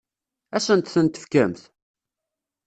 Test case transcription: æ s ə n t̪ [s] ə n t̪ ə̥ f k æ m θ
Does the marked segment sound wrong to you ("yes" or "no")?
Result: yes